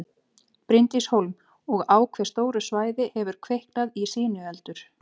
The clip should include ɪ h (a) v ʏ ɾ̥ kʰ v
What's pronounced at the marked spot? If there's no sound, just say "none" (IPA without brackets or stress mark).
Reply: ɛ